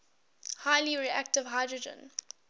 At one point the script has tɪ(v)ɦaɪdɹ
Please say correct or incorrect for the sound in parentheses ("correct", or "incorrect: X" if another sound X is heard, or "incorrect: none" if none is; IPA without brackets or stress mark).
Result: correct